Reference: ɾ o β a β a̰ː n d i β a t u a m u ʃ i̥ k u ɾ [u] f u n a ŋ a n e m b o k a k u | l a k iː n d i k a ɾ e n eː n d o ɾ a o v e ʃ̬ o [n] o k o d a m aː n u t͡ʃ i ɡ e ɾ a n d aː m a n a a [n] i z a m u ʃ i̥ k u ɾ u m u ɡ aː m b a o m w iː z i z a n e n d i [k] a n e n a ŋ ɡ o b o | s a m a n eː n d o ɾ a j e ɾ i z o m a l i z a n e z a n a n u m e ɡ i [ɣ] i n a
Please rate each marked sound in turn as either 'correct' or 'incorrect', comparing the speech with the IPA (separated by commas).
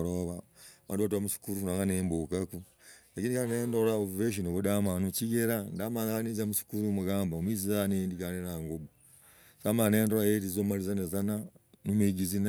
correct, correct, correct, correct, incorrect